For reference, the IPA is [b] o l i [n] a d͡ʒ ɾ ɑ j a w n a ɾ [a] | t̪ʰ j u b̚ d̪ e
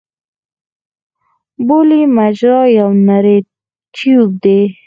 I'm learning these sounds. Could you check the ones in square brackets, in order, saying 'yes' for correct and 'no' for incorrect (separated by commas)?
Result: yes, no, no